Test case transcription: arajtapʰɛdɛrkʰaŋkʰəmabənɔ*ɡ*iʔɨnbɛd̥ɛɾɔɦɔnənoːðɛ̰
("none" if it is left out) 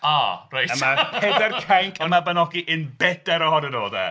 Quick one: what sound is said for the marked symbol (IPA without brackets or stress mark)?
ɡ